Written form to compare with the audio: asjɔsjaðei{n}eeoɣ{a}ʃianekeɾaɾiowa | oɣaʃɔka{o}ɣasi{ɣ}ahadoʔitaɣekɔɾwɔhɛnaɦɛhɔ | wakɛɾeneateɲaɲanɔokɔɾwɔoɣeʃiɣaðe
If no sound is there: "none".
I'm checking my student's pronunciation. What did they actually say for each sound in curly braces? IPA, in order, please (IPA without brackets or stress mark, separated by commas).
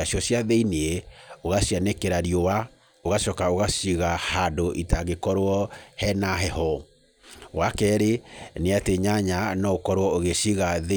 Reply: n, a, o, ɣ